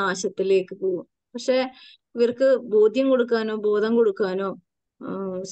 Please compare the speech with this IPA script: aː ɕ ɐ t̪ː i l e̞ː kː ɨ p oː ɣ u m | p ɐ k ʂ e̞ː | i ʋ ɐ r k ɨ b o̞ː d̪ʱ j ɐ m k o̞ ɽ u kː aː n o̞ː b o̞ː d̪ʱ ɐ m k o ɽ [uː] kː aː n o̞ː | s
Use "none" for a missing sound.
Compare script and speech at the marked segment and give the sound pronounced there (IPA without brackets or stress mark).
u